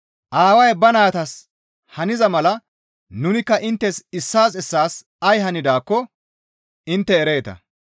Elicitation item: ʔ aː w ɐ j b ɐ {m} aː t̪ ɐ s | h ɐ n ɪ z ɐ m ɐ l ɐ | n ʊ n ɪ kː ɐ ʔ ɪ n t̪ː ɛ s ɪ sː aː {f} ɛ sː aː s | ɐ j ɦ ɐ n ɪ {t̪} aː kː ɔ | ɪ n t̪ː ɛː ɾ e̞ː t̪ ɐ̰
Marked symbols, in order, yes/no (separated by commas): no, no, no